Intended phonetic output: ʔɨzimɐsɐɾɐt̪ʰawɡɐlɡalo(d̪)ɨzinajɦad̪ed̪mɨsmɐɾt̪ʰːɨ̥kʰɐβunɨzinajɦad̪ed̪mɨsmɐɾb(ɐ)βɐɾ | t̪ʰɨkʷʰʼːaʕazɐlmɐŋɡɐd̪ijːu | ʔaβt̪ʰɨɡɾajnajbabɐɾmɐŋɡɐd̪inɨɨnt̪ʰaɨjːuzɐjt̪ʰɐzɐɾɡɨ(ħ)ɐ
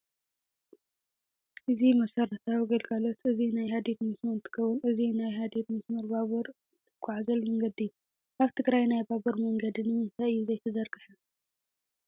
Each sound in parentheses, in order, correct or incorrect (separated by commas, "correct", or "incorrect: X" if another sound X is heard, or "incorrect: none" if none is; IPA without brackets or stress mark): incorrect: t̪, incorrect: a, correct